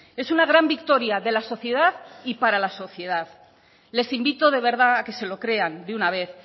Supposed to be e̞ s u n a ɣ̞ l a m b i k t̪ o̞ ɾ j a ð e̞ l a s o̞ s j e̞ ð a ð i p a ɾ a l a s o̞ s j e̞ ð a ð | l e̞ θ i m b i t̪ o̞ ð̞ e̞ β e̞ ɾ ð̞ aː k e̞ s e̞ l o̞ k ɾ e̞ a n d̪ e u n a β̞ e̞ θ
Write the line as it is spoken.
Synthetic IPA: e̞ s u n a ɣ̞ ɾ a m b i k t̪ o̞ ɾ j a ð e̞ l a s o̞ θ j e̞ ð a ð i p a ɾ a l a s o̞ θ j e̞ ð a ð | l e̞ s i m b i t̪ o̞ ð̞ e̞ β e̞ ɾ ð̞ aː k e̞ s e̞ l o̞ k ɾ e̞ a n d̪ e u n a β̞ e̞ θ